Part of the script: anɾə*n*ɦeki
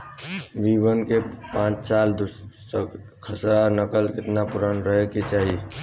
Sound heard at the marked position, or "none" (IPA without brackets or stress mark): none